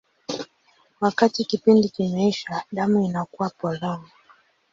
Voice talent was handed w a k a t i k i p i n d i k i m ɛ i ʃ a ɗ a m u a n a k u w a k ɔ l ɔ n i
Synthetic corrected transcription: w a k a t i k i p i n d i k i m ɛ i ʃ a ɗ a m u i n a k u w a p ɔ l ɔ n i